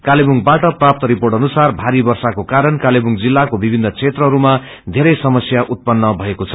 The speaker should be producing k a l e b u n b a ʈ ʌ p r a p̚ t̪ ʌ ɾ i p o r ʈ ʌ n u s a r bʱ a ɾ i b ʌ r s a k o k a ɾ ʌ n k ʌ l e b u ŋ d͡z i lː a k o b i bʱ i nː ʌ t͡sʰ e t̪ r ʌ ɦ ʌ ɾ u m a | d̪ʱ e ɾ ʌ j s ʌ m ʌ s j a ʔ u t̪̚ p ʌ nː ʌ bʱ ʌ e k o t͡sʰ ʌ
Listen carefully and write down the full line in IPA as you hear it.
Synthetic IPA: k a l e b u ŋ b a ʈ ʌ p r a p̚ t̪ ʌ ɾ i p o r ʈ ʌ n u s a r bʱ a ɾ i b ʌ r s a k o k a ɾ ʌ n k a l e b u ŋ d͡z i lː a k o b i bʱ i nː ʌ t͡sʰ e t̪ r ʌ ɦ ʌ ɾ u m a | d̪ʱ e ɾ ʌ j s ʌ m ʌ s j a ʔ u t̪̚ p ʌ nː ʌ bʱ ʌ e k o t͡sʰ ʌ